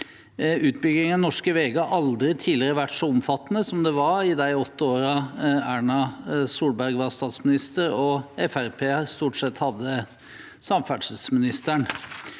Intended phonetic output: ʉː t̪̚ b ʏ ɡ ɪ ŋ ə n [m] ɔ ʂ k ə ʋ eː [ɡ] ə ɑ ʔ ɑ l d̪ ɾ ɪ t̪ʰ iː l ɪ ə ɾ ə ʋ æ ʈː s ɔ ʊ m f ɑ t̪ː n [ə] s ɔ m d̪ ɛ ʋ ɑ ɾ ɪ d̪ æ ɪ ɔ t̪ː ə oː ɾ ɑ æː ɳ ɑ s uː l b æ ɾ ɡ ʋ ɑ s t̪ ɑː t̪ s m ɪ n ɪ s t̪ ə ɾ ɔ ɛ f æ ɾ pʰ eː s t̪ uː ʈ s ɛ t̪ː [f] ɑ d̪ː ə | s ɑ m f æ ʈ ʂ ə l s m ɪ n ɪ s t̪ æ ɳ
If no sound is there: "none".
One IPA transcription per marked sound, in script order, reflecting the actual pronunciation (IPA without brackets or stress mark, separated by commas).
n, ɡ, ə, h